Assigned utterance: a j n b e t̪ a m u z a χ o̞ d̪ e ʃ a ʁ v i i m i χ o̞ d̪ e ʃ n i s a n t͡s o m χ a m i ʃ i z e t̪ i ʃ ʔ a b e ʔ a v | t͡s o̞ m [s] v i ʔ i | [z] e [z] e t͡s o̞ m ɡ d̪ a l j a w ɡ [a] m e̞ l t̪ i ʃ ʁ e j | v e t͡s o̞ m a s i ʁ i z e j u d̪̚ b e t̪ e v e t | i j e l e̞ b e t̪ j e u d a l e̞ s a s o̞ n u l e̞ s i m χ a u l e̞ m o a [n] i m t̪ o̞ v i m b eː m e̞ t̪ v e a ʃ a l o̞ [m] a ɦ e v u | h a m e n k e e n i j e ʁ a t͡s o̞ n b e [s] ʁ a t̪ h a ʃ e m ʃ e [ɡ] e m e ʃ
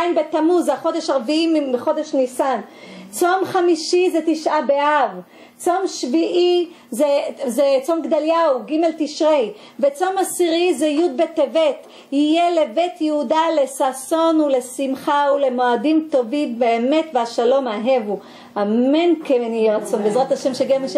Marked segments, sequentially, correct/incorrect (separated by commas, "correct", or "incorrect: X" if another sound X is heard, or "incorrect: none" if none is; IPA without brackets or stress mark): incorrect: ʃ, correct, correct, incorrect: i, incorrect: d, correct, incorrect: z, correct